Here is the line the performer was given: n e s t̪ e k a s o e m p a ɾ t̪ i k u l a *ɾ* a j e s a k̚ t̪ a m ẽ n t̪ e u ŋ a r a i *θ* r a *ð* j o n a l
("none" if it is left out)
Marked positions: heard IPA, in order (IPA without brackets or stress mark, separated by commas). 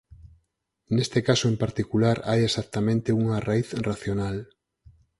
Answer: ɾ, θ, θ